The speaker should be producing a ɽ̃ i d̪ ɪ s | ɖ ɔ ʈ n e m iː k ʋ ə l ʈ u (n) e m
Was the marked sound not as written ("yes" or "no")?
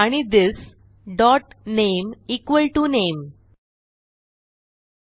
no